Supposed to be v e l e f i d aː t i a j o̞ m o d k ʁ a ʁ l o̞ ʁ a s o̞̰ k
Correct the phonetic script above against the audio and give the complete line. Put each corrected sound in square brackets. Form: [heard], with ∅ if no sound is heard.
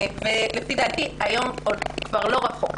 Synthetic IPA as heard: v e l e f i d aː t i a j o̞ m o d k [v] a ʁ l o̞ ʁ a [χ] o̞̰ k